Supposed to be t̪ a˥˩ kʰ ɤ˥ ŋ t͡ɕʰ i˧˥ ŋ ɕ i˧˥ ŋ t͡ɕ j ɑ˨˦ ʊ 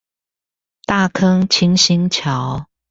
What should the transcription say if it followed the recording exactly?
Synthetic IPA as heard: t̪ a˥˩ kʰ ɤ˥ ŋ t͡ɕʰ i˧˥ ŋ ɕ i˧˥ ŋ t͡ɕʰ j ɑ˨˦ ʊ